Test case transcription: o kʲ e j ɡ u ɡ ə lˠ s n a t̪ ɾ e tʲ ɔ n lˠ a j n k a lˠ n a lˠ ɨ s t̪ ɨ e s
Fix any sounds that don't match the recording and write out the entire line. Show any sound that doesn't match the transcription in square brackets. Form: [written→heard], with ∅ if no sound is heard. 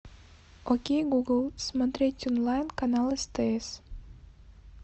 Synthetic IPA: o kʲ e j ɡ u ɡ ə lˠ s [n→m] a t̪ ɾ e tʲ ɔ n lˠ a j n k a [lˠ→∅] n a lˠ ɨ s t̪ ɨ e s